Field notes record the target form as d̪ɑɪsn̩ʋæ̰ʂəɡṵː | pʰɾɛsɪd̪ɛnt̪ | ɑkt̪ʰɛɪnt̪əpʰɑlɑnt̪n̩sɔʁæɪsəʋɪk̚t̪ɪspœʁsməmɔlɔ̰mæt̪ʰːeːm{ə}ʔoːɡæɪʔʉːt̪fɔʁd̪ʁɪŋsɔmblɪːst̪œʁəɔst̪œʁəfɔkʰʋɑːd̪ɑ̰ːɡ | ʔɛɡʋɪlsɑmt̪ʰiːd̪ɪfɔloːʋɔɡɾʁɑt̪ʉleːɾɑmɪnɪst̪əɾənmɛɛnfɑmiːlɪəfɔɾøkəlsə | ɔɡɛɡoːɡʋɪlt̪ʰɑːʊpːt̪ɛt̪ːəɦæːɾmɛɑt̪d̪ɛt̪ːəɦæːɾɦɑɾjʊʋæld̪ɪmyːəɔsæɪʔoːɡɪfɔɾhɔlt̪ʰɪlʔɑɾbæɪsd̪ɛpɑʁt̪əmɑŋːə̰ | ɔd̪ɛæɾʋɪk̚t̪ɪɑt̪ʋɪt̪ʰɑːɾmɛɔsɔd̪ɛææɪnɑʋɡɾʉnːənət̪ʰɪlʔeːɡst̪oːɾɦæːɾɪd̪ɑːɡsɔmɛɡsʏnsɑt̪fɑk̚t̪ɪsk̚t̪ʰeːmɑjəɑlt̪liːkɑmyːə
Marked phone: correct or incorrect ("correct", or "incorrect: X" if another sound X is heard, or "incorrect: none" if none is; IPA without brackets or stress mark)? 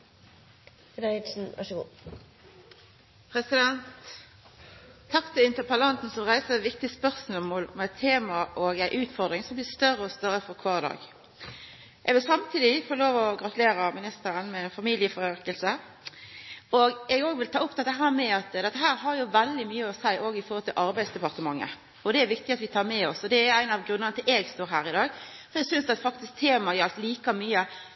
incorrect: ɑ